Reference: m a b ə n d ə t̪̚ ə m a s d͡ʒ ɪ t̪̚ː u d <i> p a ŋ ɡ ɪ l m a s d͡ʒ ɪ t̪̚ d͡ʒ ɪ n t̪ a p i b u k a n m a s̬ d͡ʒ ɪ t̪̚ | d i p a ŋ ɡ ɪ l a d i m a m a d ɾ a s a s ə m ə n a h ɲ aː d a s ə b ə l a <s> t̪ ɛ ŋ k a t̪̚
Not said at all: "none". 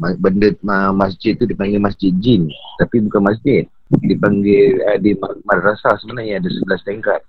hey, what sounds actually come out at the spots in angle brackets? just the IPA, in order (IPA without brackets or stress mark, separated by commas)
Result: i, s